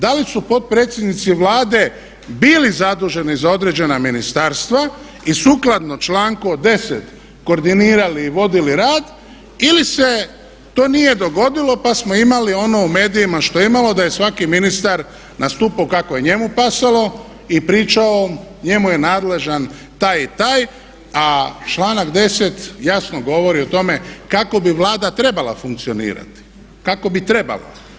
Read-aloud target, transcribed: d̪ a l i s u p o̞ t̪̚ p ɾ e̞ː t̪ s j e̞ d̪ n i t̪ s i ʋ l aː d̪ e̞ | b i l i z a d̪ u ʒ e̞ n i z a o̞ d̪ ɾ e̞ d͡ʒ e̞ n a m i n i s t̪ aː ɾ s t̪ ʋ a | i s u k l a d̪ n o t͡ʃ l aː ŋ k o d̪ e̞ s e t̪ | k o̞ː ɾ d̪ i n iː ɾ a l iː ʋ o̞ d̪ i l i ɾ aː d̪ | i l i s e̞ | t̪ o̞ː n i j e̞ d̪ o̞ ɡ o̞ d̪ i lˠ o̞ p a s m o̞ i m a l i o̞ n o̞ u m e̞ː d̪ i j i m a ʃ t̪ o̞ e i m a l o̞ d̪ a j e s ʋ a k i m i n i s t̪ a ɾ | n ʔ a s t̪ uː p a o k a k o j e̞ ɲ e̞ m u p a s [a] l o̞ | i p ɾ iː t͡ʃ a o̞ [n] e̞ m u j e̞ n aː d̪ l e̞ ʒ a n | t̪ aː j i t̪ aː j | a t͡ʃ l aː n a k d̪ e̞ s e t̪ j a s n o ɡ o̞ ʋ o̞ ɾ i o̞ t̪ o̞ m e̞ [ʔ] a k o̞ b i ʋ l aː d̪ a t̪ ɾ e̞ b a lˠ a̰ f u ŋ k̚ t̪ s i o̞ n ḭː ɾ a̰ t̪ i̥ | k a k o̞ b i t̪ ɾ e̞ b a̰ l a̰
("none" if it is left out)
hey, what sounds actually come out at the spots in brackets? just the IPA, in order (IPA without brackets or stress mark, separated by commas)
a, ɲ, k